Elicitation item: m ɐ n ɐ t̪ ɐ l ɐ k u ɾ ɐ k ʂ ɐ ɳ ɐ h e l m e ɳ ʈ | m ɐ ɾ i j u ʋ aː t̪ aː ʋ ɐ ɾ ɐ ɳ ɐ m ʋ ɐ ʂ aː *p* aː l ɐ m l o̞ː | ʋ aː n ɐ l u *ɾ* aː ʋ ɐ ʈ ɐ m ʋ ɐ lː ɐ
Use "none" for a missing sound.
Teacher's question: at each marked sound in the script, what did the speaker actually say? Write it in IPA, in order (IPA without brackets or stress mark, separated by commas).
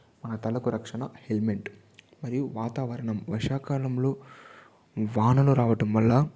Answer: k, ɾ